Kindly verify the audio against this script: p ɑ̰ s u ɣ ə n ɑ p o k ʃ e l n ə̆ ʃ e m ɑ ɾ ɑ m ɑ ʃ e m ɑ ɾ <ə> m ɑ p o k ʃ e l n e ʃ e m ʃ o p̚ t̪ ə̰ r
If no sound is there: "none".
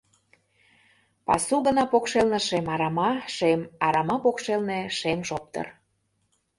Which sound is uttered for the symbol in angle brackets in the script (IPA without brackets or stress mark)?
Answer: ɑ